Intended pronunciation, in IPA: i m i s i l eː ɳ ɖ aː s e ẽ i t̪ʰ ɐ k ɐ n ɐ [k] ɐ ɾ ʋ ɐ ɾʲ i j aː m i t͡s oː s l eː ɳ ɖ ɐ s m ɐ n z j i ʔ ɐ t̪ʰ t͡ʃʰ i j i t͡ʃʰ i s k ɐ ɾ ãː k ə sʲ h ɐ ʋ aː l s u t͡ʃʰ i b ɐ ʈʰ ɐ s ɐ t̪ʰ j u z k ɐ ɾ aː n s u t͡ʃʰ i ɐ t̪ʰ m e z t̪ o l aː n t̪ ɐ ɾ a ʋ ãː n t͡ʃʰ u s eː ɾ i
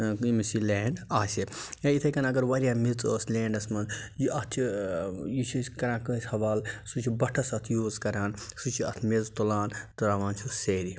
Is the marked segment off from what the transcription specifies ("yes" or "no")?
yes